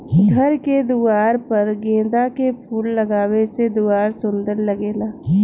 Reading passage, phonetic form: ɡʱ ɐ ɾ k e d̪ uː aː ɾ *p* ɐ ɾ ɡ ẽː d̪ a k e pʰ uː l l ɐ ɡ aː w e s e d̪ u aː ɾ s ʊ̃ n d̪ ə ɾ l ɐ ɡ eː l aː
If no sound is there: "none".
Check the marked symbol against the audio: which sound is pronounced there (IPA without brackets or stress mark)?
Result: p